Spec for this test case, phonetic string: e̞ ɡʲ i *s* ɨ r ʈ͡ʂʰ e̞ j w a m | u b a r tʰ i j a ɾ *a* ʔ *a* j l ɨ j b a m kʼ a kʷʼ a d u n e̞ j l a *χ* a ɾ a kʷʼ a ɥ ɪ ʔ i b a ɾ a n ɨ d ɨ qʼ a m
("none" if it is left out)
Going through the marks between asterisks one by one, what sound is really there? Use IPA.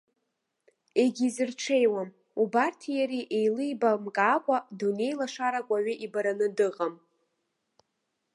z, i, e, ʂ

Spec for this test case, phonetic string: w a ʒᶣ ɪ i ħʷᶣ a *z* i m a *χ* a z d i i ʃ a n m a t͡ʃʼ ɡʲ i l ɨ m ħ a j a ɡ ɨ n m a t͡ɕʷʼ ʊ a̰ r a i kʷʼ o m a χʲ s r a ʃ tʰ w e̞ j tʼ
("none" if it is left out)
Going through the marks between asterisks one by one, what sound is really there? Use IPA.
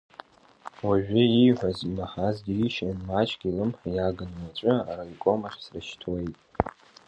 z, ħ

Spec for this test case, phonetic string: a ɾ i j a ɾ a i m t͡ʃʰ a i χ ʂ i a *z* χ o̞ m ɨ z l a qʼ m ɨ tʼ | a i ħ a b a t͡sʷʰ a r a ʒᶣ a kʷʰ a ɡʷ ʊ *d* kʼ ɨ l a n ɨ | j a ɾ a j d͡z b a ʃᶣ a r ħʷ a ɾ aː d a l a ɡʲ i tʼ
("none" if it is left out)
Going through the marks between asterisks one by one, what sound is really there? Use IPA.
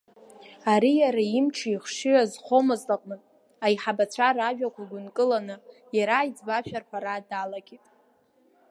z, n

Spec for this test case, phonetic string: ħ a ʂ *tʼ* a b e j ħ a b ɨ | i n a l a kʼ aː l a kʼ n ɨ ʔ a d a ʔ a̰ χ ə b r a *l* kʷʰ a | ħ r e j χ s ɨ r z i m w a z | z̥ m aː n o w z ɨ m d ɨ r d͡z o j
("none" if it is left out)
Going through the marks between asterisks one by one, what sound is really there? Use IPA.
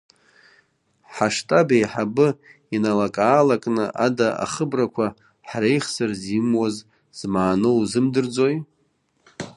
tʼ, none

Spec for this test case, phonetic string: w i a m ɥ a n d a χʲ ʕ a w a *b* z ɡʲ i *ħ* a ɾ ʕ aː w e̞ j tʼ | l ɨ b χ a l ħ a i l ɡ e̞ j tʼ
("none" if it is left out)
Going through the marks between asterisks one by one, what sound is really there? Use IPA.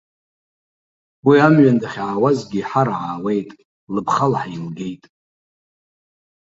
none, ħ

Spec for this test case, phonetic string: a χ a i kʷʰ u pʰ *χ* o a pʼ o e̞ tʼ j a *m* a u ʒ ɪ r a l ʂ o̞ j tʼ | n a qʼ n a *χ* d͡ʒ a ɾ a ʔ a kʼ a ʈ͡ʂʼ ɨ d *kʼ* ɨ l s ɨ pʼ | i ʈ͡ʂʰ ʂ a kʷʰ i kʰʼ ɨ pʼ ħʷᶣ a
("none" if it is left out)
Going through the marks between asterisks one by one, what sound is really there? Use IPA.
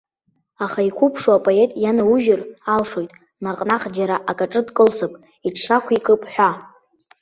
ʂ, n, χ, kʼ

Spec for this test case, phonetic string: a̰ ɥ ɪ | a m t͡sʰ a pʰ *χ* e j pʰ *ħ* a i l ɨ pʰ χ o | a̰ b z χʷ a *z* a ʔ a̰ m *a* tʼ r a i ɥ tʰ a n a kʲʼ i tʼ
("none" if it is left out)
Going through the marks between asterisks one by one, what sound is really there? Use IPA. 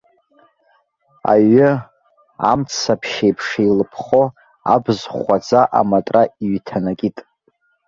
ʃ, ʂ, d͡z, a

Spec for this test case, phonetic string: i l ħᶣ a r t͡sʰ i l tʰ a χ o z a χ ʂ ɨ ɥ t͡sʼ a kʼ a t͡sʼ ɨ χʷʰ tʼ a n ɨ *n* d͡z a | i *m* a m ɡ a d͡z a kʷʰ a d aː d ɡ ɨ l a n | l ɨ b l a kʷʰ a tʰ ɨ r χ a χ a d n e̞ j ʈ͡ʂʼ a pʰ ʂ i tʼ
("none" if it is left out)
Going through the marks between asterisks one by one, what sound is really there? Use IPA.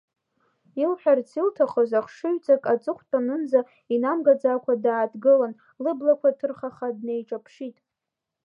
n, n

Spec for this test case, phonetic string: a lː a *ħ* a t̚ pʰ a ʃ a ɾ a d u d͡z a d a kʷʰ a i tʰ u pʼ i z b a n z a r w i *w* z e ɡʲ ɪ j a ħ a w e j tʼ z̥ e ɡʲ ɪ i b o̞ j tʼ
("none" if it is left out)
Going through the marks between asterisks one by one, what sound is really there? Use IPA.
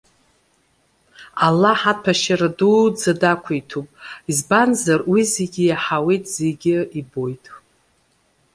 ħ, none

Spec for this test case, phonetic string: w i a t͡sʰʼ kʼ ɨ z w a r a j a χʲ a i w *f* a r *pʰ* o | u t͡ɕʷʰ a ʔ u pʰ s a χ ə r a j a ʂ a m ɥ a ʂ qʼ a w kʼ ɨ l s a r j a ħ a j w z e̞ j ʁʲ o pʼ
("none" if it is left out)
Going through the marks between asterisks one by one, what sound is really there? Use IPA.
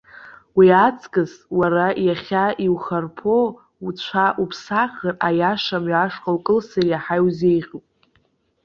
χ, pʰ

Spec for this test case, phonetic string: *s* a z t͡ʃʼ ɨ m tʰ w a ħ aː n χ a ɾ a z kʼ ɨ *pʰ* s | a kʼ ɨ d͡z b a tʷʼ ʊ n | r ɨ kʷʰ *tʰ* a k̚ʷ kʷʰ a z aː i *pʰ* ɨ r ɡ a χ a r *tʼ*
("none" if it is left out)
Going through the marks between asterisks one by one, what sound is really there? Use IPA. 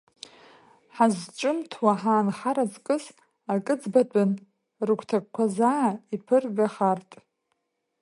ħ, none, tʰ, pʰ, tʼ

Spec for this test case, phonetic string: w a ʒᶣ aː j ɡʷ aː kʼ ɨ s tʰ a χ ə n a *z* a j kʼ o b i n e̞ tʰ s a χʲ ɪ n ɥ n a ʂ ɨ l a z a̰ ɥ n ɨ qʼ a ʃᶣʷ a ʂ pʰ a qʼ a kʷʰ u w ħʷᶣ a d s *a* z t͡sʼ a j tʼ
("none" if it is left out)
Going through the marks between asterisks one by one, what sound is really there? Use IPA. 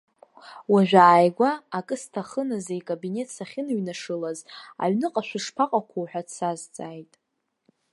z, a

